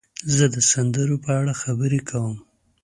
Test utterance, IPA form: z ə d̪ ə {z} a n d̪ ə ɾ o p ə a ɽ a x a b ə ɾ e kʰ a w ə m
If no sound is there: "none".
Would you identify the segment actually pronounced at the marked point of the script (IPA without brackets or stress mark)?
s